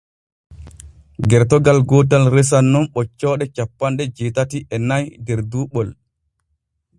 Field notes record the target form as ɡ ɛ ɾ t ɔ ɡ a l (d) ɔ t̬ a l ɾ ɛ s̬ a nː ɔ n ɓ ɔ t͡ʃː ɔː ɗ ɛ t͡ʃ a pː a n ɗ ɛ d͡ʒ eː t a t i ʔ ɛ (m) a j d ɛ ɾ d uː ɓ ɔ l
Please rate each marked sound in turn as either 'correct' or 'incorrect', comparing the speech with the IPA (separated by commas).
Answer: incorrect, incorrect